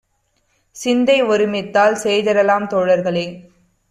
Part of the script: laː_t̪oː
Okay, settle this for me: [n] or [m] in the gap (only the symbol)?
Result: m